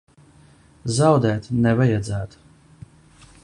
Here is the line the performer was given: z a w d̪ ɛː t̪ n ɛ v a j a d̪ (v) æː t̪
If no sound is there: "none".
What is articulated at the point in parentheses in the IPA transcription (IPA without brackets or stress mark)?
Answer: z